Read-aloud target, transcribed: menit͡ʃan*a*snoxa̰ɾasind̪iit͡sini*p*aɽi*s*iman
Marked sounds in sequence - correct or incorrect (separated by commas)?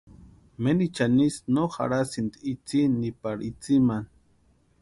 incorrect, correct, incorrect